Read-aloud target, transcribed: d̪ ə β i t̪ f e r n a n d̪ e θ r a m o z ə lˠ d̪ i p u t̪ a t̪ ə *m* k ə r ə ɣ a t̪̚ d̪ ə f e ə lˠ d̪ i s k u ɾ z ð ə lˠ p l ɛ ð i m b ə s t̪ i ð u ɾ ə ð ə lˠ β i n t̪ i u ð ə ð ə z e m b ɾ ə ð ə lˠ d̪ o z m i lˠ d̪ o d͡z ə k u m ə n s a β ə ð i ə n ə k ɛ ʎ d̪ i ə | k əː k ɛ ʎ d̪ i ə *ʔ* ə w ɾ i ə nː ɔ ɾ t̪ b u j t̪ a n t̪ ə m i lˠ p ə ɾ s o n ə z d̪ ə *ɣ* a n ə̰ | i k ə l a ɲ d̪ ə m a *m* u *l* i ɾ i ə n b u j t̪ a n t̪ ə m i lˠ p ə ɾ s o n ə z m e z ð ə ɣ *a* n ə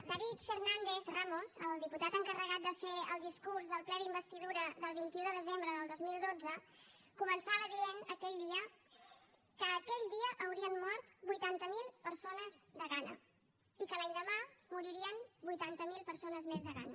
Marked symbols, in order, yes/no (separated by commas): no, yes, yes, yes, no, yes